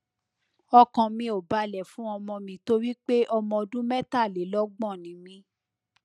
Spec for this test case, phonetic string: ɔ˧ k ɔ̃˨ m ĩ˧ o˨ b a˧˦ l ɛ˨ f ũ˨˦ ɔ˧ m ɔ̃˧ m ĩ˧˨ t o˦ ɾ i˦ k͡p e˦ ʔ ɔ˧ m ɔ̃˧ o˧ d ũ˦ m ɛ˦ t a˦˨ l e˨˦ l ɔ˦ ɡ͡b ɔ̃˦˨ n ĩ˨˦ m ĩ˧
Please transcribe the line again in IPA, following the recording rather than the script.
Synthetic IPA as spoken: ɔ˧ k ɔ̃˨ m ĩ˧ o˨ b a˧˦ l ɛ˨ f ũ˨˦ ɔ˧ m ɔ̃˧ m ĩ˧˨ t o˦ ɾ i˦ k͡p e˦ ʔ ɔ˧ m ɔ̃˧ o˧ d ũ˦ m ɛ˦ t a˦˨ l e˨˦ l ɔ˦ ɡ͡b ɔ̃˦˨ n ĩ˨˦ m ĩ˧